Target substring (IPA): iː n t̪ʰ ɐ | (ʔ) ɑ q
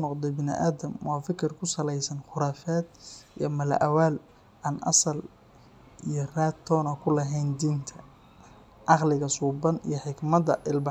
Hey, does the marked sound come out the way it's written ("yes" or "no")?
yes